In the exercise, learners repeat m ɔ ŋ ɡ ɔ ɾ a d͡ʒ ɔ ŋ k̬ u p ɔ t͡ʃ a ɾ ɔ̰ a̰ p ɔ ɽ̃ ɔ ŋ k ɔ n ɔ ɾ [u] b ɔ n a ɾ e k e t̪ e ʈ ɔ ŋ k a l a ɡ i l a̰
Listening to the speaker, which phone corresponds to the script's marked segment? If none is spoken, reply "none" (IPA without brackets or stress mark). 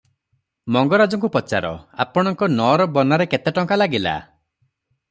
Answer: ɔ